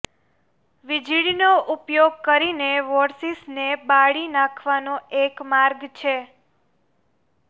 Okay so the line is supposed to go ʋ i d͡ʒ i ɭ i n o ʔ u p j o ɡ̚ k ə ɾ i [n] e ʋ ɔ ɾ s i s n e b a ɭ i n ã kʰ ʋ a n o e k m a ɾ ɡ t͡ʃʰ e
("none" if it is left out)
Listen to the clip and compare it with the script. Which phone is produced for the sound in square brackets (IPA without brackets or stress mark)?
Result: n